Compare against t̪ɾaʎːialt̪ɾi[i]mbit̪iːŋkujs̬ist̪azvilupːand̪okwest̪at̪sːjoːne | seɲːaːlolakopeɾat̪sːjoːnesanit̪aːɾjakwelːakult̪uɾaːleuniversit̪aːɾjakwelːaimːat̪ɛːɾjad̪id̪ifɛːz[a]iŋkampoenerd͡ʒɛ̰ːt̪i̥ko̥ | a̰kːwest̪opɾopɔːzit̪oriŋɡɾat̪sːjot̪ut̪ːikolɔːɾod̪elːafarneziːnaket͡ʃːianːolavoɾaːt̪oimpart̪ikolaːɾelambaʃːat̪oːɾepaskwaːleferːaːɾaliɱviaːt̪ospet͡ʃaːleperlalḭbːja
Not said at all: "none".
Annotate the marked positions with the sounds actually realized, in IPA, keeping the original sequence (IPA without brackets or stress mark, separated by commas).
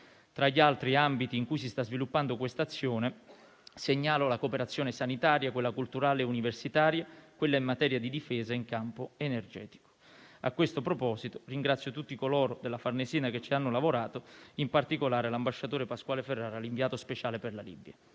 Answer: a, a